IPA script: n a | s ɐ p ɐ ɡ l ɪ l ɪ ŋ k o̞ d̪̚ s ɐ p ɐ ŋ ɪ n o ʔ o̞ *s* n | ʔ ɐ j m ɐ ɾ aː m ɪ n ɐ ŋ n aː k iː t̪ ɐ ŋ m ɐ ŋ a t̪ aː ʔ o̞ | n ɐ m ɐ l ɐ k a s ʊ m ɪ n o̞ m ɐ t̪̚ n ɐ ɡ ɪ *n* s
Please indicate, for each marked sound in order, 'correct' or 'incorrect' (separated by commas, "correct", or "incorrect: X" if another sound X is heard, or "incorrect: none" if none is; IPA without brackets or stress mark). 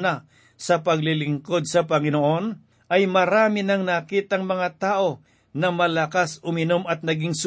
incorrect: none, incorrect: ŋ